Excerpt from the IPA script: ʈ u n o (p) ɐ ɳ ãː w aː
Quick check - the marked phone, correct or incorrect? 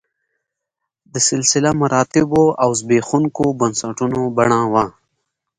incorrect